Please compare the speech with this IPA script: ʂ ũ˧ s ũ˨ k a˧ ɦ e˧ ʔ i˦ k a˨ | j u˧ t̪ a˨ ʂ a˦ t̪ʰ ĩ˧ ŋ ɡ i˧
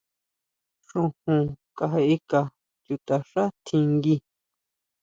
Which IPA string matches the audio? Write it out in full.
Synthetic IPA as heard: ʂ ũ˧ h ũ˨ k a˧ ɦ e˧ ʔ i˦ k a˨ | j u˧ t̪ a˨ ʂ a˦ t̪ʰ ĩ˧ ŋ ɡ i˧